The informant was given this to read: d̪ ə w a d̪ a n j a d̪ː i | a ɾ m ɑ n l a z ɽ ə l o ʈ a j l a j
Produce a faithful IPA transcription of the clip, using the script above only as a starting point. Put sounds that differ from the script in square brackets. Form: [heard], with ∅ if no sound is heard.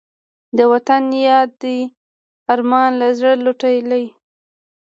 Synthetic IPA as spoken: d̪ ə w a [t̪] a n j [ɑ] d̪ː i | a ɾ m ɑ n l a z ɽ ə l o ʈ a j l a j

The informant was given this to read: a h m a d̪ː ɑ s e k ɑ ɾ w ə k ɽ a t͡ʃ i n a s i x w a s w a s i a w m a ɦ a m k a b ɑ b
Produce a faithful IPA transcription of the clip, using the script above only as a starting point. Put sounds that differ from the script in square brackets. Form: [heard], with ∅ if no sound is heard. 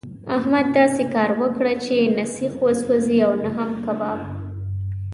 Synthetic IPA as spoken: a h m a d̪ː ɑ s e k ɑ ɾ w ə k ɽ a t͡ʃ [e] n a s i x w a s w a [z] i a w [n] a ɦ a m k a b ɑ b

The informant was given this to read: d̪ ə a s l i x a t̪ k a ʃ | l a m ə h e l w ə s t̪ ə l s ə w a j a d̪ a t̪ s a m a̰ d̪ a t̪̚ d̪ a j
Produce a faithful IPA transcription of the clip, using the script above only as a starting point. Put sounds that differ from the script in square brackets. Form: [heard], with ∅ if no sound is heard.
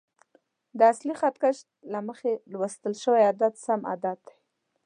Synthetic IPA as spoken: d̪ ə a s l i x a t̪ k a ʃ | l a m ə [x] e l w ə s t̪ ə l [ʃ] ə w a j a d̪ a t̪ s a m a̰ d̪ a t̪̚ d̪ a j

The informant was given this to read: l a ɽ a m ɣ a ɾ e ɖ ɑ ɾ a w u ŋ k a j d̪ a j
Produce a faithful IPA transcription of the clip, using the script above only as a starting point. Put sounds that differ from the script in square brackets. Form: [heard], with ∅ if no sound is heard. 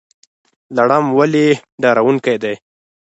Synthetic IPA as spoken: l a ɽ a m [w] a [l] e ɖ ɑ ɾ a w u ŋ k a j d̪ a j

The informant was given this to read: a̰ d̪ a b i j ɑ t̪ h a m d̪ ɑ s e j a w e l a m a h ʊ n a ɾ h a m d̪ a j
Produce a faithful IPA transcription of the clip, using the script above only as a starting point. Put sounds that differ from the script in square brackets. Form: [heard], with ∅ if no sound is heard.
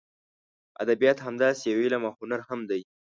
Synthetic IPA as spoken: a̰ d̪ a b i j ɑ t̪ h a m d̪ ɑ s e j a w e l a m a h ʊ n a ɾ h a m d̪ a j

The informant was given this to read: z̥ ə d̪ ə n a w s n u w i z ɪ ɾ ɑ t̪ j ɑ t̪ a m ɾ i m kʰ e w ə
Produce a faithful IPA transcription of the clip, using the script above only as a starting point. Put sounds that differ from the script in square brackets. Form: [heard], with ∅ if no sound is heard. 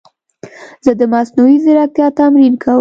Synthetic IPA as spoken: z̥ ə d̪ ə [m] a [∅] s n u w i z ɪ ɾ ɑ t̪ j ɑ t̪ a m ɾ i [n] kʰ [a] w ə

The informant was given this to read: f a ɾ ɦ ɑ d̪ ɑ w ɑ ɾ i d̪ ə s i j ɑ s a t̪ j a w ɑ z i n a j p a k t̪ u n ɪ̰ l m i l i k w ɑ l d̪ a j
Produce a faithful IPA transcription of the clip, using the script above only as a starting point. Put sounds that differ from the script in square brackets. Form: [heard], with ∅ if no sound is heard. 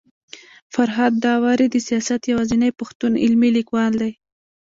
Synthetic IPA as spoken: f a ɾ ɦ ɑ [d̪ː] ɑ w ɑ ɾ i d̪ ə s i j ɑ s a t̪ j a w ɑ z i n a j p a [x] t̪ u n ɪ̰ l m i l i k w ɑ l d̪ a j

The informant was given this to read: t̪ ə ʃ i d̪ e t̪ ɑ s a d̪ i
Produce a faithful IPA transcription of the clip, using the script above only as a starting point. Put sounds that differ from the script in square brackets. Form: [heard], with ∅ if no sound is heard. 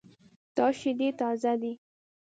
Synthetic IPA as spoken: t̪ [ɑ] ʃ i d̪ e t̪ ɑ [z] a d̪ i

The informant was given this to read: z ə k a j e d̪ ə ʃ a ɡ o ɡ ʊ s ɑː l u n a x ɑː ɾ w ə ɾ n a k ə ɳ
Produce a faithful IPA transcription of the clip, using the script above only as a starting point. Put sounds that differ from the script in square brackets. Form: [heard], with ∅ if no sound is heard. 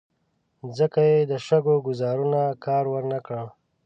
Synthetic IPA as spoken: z ə k a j e d̪ ə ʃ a ɡ o ɡ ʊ [z] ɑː [ɾ] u n a [k] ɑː ɾ w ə ɾ n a k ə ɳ

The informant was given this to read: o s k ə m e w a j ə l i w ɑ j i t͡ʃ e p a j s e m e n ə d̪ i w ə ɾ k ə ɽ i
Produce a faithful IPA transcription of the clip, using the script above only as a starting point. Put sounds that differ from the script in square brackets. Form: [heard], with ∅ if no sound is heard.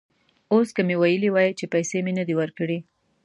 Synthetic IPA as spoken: o s k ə m e w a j ə l i w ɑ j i t͡ʃ e p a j s e m e n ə d̪ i w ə ɾ k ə ɽ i

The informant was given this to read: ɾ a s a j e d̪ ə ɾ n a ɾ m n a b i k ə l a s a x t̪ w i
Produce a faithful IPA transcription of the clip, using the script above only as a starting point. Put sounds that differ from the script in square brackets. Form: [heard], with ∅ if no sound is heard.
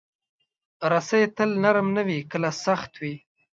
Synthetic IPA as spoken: ɾ a s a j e [t̪] ə [l] n a ɾ m n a [w] i k ə l a s a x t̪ w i

